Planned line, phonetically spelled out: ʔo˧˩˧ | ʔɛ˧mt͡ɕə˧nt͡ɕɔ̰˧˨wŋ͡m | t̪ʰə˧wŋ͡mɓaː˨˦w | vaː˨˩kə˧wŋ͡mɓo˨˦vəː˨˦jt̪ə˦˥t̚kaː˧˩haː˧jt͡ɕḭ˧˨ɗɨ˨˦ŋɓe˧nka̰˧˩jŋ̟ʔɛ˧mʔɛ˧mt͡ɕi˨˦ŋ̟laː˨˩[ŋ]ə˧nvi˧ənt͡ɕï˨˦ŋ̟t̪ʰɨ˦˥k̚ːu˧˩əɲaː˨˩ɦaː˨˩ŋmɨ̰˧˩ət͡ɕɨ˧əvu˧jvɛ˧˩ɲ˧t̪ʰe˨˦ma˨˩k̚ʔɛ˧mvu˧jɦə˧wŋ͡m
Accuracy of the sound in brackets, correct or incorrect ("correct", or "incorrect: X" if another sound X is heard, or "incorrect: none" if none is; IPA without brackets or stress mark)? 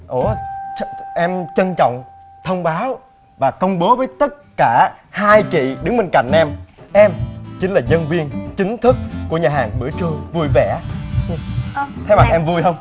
incorrect: ɲ